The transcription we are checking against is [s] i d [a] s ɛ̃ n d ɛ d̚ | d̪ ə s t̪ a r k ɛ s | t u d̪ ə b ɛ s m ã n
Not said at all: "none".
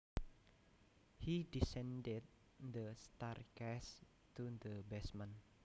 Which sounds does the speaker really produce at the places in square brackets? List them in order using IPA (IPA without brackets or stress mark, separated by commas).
h, i